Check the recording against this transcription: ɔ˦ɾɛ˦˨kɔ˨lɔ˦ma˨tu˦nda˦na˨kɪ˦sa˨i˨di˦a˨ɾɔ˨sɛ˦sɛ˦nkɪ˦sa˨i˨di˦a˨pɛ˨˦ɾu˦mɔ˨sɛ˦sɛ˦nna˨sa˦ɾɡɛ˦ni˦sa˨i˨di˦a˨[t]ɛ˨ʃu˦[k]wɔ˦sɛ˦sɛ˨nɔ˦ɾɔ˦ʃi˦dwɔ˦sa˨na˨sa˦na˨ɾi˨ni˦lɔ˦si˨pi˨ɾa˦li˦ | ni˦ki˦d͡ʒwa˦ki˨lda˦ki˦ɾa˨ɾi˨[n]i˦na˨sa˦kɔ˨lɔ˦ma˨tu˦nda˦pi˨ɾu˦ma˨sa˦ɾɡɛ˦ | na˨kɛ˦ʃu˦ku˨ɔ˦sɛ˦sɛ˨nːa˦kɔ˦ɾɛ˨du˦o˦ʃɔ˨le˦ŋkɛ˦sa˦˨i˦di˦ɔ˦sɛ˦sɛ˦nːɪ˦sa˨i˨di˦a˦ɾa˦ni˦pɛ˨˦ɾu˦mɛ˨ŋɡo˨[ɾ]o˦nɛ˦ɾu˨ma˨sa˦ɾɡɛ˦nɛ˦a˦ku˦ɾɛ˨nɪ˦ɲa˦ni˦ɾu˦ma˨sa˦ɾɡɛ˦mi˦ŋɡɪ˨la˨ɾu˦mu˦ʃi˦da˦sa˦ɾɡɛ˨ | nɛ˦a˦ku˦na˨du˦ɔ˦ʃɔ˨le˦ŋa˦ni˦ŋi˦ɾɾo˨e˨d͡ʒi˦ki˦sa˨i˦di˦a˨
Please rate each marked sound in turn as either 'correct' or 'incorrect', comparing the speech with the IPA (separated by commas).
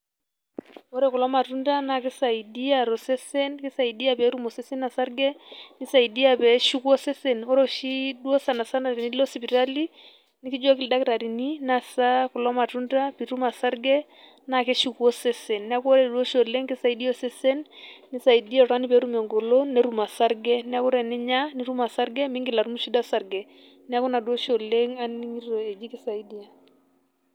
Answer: incorrect, correct, correct, incorrect